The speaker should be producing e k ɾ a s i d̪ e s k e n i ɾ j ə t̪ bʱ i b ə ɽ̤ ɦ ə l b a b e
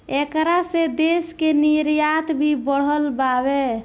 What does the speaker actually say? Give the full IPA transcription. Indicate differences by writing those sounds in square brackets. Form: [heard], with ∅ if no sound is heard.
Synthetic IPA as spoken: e k ɾ a s [e] d̪ e s k e n i ɾ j [a] t̪ bʱ i b ə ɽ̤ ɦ ə l b a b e